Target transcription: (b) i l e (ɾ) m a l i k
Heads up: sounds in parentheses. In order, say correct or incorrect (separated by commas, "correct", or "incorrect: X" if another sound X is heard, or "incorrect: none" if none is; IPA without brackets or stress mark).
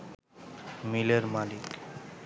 incorrect: m, correct